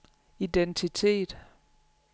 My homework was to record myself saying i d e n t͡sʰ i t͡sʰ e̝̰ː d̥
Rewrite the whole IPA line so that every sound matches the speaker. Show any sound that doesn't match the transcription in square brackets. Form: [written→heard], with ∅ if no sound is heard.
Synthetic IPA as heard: i d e n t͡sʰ i t͡sʰ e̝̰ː d̥